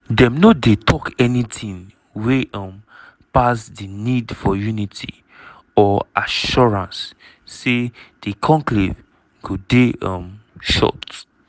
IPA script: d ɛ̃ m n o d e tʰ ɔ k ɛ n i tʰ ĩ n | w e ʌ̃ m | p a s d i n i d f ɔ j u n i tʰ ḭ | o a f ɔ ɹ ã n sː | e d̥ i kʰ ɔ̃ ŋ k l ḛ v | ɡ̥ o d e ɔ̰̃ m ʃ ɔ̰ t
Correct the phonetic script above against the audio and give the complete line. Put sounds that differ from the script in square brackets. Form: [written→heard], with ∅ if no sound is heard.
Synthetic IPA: d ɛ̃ m n o d e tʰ ɔ k ɛ n i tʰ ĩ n | w e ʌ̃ m | p a s d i n i d f ɔ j u n i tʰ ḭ | [o→ɔ] a [f→ʃ] ɔ ɹ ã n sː | e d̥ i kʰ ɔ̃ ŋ k l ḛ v | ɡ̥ o d e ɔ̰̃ m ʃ ɔ̰ t